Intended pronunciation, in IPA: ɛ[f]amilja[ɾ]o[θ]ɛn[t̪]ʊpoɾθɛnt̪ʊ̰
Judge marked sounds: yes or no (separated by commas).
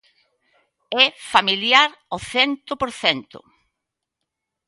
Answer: yes, yes, yes, yes